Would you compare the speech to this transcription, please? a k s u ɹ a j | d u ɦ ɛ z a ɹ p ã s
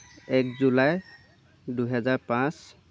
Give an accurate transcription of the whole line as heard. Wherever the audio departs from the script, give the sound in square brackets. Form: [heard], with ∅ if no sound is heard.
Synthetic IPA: [ɛ] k [z] u [l] a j | d u ɦ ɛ z a ɹ p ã s